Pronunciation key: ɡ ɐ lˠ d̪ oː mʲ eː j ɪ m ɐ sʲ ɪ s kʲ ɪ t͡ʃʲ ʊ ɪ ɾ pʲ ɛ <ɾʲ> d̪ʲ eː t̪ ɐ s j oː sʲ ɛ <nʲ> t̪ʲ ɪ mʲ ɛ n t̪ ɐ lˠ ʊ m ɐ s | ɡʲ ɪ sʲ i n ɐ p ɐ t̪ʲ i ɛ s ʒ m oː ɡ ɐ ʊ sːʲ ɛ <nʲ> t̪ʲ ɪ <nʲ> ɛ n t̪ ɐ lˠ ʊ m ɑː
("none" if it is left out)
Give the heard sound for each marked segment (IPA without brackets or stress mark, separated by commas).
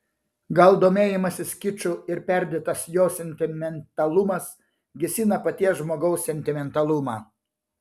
ɾʲ, nʲ, nʲ, mʲ